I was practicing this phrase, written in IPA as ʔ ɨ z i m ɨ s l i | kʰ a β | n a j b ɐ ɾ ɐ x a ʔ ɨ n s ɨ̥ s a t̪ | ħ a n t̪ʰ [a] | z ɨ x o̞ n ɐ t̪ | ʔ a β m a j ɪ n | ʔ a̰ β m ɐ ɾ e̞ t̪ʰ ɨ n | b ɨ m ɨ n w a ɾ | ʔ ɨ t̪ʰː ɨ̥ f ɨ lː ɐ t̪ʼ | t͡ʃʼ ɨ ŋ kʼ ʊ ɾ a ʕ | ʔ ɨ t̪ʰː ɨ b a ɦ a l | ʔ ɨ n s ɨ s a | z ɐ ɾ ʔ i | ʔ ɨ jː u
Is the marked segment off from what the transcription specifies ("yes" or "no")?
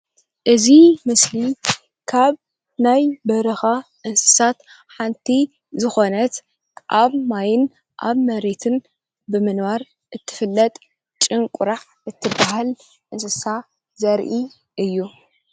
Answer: yes